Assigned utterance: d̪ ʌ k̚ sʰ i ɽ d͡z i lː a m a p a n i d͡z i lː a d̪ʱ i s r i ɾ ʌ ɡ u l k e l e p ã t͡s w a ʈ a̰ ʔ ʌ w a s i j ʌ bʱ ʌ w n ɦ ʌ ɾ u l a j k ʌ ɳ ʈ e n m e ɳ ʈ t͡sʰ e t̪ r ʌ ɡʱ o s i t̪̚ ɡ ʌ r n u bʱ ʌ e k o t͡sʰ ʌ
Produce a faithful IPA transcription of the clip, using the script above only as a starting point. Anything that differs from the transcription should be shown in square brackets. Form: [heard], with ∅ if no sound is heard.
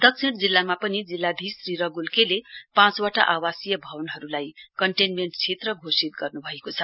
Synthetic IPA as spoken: d̪ ʌ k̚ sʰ i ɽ d͡z i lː a m a p [ʌ] n i d͡z i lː a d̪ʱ i s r i ɾ ʌ ɡ u l k e l e p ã t͡s w a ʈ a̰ ʔ [a] w a s i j ʌ bʱ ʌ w n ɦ ʌ ɾ u l a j k ʌ ɳ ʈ e n m e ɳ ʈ t͡sʰ e t̪ r ʌ ɡʱ o s i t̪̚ ɡ ʌ r n u bʱ ʌ e k o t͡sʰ ʌ